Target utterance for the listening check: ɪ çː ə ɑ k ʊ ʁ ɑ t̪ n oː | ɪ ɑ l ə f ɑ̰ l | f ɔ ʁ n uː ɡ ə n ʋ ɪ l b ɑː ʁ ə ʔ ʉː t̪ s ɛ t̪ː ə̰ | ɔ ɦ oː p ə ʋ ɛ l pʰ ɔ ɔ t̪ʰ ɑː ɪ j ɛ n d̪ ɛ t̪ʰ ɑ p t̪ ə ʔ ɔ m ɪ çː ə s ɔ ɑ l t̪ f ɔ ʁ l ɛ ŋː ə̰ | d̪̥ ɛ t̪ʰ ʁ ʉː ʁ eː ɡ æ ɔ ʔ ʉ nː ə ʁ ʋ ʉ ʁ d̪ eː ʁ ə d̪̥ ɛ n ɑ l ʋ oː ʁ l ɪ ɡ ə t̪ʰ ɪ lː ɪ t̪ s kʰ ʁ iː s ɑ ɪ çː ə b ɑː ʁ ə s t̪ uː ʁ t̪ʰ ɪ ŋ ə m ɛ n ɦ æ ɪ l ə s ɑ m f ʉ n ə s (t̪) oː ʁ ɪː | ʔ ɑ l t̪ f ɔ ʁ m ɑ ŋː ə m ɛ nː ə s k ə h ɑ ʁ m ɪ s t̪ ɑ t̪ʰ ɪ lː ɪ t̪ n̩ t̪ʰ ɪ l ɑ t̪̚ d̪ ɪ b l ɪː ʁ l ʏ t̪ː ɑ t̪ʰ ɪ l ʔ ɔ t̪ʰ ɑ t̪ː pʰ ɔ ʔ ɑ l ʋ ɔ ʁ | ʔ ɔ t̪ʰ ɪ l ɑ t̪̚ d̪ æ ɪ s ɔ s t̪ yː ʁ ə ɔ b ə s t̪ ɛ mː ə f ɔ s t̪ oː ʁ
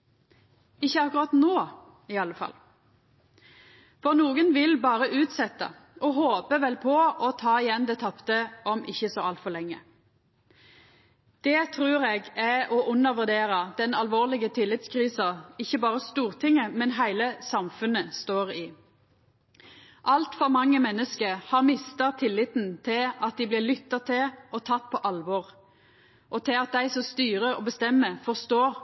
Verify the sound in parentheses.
correct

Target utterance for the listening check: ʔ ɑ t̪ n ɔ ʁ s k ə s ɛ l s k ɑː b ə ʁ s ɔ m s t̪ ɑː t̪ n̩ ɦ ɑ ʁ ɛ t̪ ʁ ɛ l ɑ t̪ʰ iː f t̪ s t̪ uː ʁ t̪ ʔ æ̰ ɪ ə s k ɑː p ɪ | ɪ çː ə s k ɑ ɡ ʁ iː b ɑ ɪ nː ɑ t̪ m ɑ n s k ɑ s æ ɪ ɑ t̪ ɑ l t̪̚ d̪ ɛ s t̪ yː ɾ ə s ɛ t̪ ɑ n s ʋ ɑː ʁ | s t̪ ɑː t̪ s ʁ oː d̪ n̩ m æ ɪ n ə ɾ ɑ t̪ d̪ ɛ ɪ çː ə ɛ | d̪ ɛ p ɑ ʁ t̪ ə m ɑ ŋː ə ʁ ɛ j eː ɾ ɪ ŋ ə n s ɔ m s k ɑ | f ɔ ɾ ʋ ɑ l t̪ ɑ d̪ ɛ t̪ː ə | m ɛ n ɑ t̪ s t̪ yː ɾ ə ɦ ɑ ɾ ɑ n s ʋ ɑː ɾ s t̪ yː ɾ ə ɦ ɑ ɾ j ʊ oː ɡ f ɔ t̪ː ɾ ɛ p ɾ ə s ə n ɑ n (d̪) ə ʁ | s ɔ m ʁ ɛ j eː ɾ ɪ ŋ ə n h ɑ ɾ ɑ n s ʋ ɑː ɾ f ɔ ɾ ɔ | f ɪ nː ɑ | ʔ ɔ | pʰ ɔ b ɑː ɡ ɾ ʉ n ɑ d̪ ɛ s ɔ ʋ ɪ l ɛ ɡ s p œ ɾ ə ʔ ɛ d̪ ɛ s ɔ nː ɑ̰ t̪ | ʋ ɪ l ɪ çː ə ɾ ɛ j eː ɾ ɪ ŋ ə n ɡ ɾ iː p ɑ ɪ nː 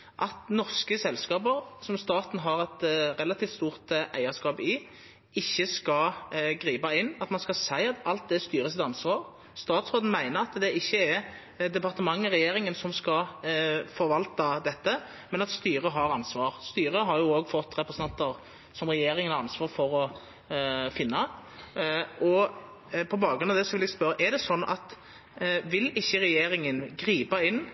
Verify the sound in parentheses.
incorrect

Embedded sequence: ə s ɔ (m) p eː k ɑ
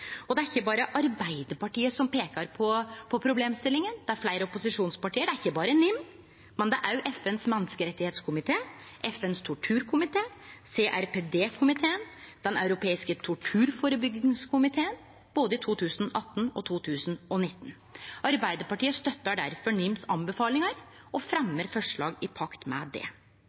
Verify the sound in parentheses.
correct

